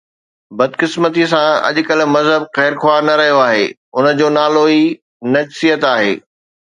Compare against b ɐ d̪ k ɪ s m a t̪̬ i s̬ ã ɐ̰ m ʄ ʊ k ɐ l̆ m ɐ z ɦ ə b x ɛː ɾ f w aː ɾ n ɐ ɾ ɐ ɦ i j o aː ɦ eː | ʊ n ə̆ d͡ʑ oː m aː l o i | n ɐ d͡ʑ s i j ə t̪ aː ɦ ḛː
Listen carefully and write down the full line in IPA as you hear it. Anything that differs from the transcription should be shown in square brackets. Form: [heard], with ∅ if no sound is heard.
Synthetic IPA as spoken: b ɐ d̪ k ɪ s m [ə] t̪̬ i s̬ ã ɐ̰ [∅] ʄ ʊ k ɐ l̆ m ɐ z ɦ ə b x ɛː ɾ [x] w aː ɾ n ɐ ɾ ɐ ɦ i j o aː ɦ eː | ʊ n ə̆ d͡ʑ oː [n] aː l o i | n ɐ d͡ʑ s i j ə t̪ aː ɦ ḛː